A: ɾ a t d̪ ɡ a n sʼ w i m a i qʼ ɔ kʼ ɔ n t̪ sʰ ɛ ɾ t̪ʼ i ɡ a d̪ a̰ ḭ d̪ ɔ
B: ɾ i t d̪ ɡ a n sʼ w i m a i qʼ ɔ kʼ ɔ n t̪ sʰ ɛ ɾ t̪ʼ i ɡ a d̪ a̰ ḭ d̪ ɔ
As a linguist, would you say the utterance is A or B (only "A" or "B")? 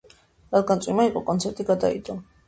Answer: A